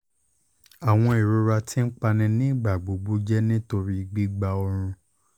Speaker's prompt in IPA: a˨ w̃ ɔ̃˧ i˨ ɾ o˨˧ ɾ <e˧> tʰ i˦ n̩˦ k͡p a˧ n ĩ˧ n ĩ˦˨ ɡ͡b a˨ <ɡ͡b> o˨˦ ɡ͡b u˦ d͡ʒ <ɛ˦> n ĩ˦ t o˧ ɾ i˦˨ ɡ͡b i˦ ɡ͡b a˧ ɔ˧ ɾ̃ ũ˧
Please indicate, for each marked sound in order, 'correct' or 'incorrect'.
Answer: incorrect: a˧, correct, correct

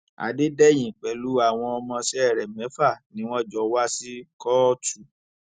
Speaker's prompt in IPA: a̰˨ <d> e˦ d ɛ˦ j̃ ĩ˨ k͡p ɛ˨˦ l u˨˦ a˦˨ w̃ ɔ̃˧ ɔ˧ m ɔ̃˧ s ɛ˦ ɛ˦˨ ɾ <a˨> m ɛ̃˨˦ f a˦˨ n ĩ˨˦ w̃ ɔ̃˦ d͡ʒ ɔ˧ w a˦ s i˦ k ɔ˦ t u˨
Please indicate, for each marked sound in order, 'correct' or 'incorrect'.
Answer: correct, incorrect: ɛ˨

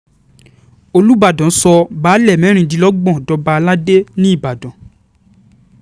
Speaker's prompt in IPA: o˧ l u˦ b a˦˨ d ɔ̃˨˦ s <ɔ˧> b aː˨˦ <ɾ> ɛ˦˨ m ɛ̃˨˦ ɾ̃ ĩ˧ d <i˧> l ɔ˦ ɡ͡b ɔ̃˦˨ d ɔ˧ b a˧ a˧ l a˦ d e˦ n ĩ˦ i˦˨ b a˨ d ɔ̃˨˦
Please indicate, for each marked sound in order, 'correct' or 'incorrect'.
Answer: correct, incorrect: l, correct

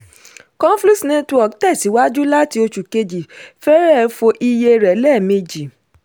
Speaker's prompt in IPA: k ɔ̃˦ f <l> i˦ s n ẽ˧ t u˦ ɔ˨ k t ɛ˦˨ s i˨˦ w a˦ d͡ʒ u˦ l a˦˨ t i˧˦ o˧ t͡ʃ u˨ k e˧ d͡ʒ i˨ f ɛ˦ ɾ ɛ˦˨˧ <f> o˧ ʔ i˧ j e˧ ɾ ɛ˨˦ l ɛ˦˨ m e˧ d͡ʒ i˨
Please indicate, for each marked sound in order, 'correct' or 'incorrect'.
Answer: correct, correct

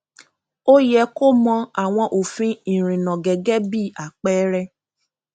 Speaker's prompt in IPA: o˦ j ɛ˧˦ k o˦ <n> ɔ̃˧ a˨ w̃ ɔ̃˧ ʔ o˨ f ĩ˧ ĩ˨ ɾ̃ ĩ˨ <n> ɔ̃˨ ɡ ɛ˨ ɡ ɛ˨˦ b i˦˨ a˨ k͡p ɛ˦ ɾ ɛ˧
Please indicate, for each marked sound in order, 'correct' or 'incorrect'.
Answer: incorrect: m, correct

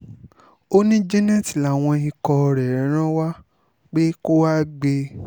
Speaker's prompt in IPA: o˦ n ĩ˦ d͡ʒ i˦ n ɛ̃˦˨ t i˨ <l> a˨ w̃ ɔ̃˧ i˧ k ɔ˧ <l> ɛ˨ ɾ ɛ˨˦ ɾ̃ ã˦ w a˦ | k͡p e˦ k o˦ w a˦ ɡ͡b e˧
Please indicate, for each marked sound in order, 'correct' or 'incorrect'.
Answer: correct, incorrect: ɾ

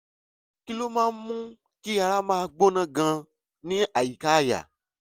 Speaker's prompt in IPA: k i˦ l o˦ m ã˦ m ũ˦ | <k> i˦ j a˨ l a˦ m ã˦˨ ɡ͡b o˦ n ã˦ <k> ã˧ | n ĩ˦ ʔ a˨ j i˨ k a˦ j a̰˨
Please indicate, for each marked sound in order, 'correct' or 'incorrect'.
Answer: correct, incorrect: ɡ

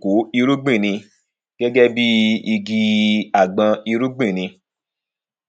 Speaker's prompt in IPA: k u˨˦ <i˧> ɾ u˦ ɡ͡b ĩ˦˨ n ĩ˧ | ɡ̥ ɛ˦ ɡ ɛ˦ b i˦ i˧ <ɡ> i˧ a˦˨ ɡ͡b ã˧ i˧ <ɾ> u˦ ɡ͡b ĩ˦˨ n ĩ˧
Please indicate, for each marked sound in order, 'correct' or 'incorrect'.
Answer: correct, correct, correct

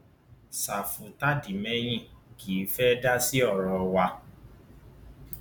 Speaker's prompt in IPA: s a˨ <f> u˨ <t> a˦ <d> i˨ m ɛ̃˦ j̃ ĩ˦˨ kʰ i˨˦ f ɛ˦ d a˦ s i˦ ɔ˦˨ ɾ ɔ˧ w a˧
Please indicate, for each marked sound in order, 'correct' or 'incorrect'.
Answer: correct, correct, correct

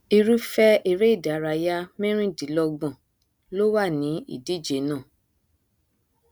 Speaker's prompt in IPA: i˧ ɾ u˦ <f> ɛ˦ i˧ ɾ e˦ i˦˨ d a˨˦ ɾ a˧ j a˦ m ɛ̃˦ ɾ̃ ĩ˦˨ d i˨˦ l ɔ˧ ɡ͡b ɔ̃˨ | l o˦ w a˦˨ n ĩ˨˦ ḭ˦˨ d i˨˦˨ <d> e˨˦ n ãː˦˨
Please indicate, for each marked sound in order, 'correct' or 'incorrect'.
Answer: correct, incorrect: d͡ʒ

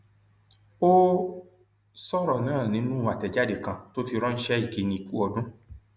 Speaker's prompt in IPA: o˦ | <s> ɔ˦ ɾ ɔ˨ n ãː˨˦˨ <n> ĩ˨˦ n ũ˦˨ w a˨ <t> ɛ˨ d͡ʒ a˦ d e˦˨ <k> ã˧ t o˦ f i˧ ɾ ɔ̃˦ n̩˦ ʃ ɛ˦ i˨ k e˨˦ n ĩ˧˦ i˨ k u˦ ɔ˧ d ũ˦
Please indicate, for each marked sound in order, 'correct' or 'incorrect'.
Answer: correct, correct, correct, correct

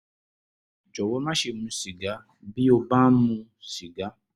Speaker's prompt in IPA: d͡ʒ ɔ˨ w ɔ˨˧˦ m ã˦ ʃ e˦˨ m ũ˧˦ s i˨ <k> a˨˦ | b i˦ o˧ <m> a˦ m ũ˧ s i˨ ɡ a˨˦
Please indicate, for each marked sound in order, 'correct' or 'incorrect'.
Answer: incorrect: ɡ, incorrect: b

